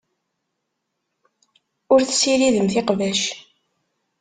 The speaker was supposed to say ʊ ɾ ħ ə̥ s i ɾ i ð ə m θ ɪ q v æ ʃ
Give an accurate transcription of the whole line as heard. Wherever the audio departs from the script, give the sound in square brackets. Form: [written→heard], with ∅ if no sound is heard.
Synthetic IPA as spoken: ʊ ɾ [ħ→θ] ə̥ s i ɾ i ð ə m θ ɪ q v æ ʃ